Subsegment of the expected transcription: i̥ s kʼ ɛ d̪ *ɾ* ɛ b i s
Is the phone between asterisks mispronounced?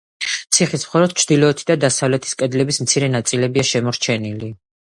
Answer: yes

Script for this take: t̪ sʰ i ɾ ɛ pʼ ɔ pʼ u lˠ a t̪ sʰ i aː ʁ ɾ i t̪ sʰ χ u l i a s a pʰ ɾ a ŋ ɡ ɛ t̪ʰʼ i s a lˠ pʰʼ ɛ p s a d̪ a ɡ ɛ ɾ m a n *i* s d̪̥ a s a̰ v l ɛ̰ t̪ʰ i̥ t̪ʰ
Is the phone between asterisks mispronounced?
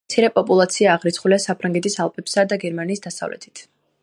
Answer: yes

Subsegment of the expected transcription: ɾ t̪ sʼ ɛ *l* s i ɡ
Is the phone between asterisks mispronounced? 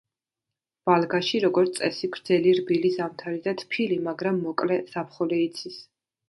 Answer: yes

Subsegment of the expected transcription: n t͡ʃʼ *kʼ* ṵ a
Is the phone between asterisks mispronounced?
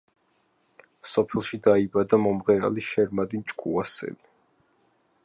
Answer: no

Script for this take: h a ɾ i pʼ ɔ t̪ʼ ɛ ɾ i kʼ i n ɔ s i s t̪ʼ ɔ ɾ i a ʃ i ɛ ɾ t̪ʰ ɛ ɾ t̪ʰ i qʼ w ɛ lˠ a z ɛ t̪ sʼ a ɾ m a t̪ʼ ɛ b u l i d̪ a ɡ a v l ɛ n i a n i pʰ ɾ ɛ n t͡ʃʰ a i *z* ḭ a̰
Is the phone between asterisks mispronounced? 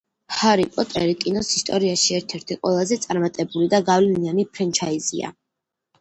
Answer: no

